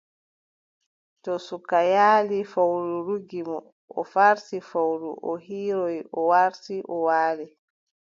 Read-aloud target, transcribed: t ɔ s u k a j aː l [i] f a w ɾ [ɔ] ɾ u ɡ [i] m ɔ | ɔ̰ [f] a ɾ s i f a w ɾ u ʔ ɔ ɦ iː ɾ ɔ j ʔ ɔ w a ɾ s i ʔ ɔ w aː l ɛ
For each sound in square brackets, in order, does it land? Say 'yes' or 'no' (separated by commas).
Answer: yes, no, yes, yes